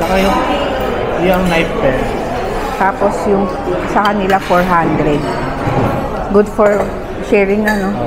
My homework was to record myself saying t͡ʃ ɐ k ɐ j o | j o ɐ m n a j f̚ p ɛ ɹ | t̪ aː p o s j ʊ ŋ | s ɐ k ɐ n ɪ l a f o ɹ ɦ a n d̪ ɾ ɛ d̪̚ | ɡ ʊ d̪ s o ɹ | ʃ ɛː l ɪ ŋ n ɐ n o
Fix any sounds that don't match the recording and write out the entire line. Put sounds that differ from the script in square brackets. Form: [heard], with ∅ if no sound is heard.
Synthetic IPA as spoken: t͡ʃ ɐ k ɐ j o | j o ɐ [ŋ] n a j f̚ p ɛ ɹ | t̪ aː p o s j ʊ ŋ | s ɐ k ɐ n ɪ l a f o ɹ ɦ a n d̪ ɾ ɛ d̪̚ | ɡ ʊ d̪ [f] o ɹ | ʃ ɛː [ɹ] ɪ ŋ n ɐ n o